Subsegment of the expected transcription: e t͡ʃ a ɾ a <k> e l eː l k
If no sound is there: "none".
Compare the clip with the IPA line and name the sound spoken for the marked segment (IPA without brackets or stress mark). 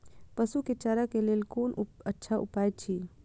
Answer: k